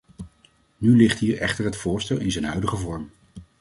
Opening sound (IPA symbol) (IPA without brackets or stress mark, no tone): n